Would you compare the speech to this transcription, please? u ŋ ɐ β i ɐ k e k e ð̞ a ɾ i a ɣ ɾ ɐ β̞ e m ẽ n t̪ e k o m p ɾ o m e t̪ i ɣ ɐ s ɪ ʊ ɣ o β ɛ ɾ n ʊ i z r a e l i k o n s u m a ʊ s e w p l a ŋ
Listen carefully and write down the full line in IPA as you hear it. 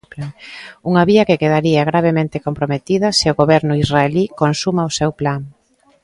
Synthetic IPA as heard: u ŋ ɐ β i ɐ k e k e ð̞ a ɾ i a ɣ ɾ a β̞ e m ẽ n t̪ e k o m p ɾ o m e t̪ i ð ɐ s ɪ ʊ ɣ o β ɛ ɾ n ʊ i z r a e l i k o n s u m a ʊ s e w p l a ŋ